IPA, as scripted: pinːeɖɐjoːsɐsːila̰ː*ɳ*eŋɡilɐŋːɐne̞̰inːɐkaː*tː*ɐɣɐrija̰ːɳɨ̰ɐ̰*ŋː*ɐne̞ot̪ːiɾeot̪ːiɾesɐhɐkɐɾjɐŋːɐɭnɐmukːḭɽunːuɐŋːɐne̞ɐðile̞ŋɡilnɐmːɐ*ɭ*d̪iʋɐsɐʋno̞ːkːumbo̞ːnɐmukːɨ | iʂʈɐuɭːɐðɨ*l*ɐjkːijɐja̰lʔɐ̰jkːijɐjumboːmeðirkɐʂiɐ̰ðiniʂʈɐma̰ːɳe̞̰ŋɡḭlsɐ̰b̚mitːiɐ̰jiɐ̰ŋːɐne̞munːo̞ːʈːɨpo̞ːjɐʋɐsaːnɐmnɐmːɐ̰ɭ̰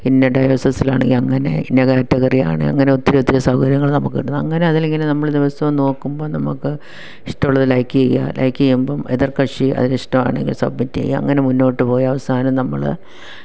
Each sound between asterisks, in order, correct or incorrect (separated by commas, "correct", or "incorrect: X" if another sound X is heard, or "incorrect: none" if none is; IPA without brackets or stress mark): correct, correct, correct, correct, correct